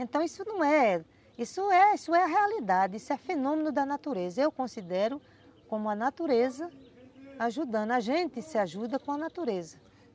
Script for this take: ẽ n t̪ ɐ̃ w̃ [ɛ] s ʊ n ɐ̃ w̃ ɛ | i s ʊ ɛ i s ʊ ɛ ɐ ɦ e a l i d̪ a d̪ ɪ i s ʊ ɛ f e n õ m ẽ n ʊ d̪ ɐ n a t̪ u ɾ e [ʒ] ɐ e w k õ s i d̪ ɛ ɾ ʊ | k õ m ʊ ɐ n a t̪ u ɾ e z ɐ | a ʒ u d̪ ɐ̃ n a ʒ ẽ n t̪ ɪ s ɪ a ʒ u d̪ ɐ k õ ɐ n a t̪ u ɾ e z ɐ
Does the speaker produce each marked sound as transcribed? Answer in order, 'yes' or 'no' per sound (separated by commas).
no, no